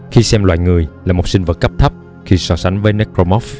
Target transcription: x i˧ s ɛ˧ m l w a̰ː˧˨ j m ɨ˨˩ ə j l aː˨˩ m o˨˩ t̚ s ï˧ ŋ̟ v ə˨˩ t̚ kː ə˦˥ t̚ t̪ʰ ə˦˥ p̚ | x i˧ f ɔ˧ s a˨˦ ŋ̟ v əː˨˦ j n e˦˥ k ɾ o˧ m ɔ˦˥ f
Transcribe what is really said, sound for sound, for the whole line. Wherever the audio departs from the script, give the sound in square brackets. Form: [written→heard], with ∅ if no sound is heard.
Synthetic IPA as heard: x i˧ s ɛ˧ m l w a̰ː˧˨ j [m→ŋ] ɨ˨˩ ə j l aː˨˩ m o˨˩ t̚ s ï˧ ŋ̟ v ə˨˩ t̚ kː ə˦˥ [t̚→p̚] t̪ʰ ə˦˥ p̚ | x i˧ [f→s] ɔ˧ s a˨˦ ŋ̟ v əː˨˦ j n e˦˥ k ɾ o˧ m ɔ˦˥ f